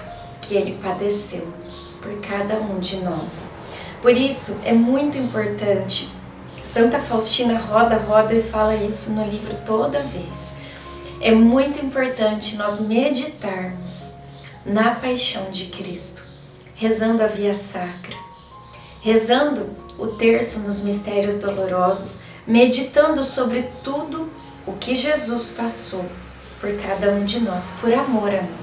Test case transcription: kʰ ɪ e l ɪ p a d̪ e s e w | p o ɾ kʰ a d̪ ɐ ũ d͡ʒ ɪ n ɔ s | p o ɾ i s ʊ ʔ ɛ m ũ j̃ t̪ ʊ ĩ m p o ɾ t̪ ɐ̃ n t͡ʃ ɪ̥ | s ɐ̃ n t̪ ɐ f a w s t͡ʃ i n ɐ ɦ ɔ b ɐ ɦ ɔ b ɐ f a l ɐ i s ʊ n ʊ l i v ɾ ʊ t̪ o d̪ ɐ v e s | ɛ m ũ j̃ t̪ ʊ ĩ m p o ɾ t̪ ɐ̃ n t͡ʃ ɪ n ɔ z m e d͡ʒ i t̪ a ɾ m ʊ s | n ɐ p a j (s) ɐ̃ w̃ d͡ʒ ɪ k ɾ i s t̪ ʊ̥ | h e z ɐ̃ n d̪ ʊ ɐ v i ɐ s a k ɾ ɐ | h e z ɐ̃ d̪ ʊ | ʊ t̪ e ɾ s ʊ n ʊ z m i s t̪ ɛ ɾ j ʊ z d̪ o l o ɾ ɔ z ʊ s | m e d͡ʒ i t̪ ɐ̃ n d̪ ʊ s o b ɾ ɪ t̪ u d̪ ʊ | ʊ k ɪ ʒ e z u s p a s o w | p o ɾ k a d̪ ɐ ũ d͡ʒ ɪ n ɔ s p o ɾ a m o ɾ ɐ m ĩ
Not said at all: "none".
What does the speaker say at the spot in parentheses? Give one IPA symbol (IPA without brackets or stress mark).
ʃ